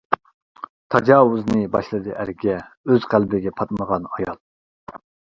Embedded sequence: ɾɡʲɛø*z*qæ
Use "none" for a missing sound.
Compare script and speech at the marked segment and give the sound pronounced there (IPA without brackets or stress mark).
z